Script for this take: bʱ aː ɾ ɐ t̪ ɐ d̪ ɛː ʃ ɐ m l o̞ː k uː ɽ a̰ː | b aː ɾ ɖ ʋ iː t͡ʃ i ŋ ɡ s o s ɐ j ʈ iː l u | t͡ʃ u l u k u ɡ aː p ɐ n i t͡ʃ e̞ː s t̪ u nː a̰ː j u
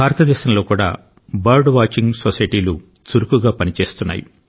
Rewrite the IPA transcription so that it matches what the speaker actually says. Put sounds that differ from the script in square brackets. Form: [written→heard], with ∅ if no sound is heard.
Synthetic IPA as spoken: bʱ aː ɾ ɐ t̪ ɐ d̪ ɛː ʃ ɐ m l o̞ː k uː ɽ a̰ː | b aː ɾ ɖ ʋ [iː→aː] t͡ʃ i ŋ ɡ s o s ɐ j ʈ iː l u | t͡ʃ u [l→ɾ] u k u ɡ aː p ɐ n i t͡ʃ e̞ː s t̪ u nː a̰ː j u